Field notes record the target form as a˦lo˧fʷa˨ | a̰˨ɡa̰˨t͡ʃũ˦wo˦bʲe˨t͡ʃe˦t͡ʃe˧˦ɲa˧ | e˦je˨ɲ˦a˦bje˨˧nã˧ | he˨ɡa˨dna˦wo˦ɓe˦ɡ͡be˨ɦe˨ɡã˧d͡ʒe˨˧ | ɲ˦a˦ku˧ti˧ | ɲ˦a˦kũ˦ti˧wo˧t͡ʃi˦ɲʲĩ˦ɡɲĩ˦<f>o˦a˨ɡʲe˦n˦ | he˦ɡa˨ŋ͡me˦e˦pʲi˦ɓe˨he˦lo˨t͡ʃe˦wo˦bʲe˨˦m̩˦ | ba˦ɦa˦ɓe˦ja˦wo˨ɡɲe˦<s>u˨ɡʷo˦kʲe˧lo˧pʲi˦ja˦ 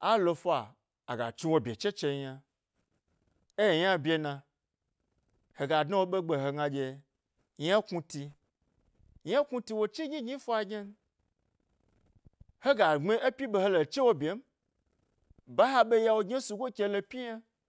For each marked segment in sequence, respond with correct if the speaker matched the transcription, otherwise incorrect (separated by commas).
correct, correct